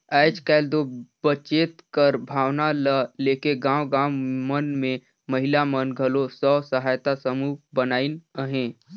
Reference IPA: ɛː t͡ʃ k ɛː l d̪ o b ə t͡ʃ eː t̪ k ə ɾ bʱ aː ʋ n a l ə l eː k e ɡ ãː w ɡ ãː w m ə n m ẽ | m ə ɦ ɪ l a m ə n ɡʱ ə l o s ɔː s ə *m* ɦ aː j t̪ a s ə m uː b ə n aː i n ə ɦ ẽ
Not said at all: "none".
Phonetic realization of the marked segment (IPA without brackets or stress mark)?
none